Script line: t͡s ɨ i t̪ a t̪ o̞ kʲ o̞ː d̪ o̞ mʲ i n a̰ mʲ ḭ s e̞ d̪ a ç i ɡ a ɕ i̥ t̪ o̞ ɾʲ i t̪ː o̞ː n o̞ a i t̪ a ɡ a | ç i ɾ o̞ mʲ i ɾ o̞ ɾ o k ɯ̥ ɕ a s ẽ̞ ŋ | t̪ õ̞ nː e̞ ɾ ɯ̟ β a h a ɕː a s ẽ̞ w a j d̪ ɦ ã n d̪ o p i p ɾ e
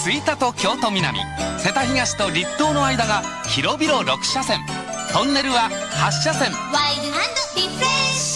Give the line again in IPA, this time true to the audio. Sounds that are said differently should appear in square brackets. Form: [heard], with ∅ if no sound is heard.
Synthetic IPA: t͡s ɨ i t̪ a t̪ o̞ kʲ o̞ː [t̪] o̞ mʲ i n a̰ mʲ ḭ s e̞ [t̪] a ç i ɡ a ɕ i̥ t̪ o̞ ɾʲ i t̪ː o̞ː n o̞ a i [d̪] a ɡ a | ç i ɾ o̞ [bʲ] i ɾ o̞ ɾ o k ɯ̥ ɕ a s ẽ̞ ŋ | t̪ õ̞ nː e̞ ɾ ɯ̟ β a h a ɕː a s ẽ̞ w a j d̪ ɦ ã n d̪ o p i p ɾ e